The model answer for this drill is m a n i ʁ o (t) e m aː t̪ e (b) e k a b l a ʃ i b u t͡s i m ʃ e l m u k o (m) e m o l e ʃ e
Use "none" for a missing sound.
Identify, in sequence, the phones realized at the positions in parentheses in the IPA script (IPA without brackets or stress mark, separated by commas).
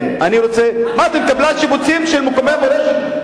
t͡s, m, m